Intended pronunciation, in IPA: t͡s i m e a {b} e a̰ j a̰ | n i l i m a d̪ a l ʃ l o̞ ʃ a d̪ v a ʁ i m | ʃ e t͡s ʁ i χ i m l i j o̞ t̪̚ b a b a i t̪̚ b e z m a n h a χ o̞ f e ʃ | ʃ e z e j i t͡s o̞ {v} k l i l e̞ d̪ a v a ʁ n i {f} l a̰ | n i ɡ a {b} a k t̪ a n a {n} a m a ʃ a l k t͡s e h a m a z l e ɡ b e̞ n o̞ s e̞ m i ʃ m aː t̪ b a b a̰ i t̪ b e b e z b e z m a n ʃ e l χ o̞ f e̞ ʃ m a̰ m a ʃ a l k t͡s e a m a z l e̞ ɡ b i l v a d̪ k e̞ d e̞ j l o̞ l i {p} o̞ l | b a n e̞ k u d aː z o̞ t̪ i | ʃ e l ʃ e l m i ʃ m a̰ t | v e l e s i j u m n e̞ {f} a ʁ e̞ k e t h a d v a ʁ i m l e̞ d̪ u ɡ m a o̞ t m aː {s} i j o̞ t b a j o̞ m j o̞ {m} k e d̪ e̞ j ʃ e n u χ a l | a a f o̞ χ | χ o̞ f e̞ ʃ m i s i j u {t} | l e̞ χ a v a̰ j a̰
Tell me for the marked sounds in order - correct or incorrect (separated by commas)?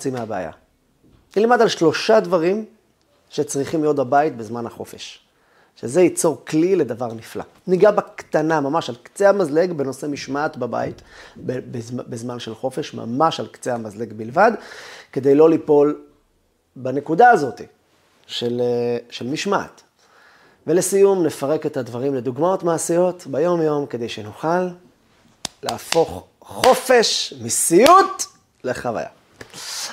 correct, incorrect, correct, correct, incorrect, correct, correct, correct, correct, correct